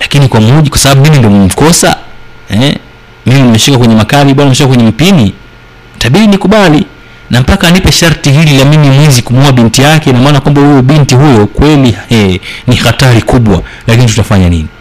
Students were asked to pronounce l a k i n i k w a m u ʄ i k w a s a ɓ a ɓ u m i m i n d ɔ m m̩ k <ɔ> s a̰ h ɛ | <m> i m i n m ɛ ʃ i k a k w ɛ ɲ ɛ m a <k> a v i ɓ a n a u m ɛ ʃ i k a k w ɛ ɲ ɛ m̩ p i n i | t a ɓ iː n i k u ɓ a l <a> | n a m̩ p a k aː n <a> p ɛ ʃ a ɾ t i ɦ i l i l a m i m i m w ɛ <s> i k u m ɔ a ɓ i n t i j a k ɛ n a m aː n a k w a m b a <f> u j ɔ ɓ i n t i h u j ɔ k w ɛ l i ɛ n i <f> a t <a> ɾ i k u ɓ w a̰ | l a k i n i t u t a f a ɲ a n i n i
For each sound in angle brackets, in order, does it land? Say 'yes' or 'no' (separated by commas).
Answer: yes, yes, yes, no, no, no, no, no, yes